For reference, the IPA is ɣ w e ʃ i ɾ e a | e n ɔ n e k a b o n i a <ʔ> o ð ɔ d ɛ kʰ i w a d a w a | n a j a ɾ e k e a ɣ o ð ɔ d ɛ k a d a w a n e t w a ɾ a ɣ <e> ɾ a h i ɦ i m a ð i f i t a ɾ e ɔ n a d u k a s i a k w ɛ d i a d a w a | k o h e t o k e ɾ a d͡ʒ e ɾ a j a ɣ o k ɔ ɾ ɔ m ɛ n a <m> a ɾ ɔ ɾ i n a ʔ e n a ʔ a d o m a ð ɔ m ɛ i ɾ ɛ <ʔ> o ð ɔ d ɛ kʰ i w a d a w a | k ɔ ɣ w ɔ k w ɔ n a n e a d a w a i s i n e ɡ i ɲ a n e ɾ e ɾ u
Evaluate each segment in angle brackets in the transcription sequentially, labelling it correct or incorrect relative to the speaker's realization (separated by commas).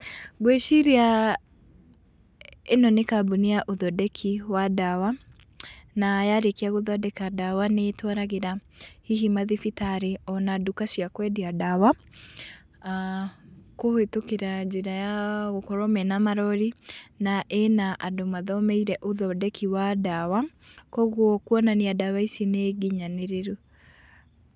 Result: correct, correct, correct, correct